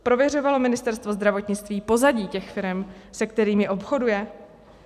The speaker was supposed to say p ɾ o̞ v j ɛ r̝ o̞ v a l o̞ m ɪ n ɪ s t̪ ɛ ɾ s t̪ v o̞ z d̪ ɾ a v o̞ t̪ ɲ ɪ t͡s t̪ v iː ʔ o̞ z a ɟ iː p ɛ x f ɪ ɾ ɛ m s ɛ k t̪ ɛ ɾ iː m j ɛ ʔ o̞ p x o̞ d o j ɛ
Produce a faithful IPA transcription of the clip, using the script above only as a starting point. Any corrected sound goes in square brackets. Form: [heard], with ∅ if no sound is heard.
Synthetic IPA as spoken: p ɾ o̞ v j ɛ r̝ o̞ v a l o̞ m ɪ n ɪ s t̪ ɛ ɾ s t̪ v o̞ z d̪ ɾ a v o̞ t̪ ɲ ɪ t͡s t̪ v iː [p] o̞ z a ɟ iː [c] ɛ x f ɪ ɾ ɛ m s ɛ k t̪ ɛ ɾ iː m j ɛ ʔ o̞ p x o̞ d [u] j ɛ